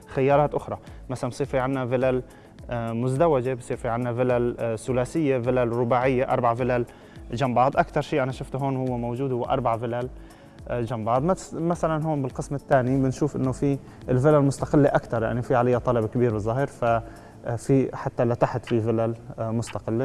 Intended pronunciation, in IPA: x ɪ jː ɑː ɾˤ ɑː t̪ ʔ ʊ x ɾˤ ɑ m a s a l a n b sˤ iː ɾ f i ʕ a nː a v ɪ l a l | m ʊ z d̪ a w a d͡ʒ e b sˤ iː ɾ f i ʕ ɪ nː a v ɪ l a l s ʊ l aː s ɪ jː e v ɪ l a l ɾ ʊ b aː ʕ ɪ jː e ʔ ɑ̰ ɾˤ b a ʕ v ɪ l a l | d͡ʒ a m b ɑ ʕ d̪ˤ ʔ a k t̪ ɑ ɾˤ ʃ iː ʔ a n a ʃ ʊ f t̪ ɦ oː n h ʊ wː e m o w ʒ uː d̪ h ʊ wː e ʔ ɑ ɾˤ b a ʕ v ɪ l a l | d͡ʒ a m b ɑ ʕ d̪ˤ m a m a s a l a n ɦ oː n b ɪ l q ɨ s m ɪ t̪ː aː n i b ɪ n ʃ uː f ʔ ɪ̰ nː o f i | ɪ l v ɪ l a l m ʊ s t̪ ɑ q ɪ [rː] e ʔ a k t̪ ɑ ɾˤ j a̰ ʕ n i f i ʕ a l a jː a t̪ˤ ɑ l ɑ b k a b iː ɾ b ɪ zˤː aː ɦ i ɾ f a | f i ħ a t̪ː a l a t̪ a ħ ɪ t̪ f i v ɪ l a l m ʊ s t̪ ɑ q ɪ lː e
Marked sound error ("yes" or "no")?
yes